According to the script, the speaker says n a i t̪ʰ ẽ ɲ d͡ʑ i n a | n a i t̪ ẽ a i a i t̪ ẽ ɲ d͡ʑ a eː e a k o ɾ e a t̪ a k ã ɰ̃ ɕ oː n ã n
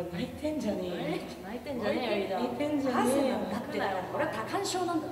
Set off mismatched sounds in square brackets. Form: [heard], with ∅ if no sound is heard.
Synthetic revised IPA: n a i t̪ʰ ẽ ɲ d͡ʑ [a] n [e] | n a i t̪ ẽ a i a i t̪ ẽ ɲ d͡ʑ a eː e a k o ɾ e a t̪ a k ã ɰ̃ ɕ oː n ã n